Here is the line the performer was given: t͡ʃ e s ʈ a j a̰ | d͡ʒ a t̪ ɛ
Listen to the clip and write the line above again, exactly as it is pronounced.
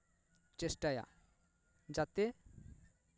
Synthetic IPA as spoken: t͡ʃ e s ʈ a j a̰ | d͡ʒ a t̪ e